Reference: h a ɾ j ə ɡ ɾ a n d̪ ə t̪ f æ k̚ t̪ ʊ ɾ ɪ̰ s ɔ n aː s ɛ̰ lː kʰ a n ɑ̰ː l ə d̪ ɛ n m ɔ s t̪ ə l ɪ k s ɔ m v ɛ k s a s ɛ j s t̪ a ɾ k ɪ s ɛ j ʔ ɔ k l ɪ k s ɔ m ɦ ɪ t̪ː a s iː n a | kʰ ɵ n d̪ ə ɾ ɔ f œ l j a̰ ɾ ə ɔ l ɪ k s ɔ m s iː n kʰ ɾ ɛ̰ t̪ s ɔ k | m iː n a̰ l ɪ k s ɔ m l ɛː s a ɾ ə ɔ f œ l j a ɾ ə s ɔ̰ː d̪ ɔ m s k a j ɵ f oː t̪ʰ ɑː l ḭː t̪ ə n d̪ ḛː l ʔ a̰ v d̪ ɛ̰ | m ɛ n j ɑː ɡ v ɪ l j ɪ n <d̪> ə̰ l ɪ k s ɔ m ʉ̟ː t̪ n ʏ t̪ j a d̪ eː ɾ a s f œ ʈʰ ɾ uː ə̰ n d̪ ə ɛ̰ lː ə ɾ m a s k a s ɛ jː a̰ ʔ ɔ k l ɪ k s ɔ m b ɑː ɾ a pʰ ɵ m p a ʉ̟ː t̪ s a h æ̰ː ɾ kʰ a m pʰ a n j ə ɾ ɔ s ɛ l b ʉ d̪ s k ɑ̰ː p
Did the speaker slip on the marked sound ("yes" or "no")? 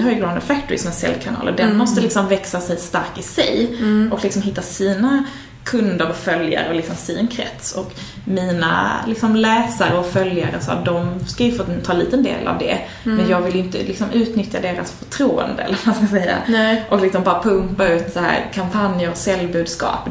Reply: yes